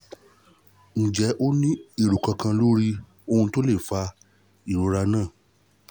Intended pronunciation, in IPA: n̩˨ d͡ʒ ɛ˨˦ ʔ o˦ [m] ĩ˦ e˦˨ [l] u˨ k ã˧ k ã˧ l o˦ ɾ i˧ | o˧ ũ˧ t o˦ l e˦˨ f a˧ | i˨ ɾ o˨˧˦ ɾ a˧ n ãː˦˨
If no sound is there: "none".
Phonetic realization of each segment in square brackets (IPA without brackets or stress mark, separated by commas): n, ɾ